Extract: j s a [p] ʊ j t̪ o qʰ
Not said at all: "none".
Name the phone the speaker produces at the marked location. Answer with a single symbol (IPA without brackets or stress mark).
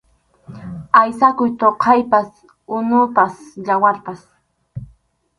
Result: k